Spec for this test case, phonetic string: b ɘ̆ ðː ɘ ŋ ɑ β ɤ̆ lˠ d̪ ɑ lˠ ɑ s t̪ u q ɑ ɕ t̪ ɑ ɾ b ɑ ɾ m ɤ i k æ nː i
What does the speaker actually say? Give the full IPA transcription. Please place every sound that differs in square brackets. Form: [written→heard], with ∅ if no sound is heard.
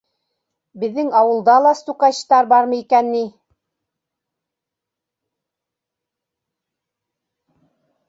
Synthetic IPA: b ɘ̆ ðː ɘ ŋ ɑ [β→w] ɤ̆ lˠ d̪ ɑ lˠ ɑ s t̪ u q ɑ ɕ t̪ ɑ ɾ b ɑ ɾ m ɤ i k æ nː i